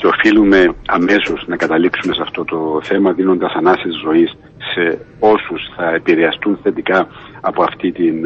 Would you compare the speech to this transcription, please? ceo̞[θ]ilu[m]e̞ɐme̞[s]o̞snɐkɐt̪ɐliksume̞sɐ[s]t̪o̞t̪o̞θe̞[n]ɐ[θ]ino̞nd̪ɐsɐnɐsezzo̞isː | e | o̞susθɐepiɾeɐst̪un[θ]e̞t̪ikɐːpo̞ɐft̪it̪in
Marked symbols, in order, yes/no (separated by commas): no, yes, yes, no, no, no, yes